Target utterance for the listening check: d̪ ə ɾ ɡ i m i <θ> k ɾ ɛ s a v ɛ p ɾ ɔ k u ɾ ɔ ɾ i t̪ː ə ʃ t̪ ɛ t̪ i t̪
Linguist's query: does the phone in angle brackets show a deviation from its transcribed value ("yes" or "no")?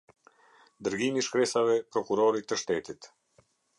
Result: yes